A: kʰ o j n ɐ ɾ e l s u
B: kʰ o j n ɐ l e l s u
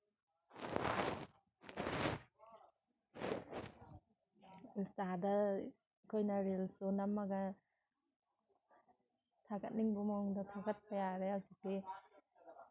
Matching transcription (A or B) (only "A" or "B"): A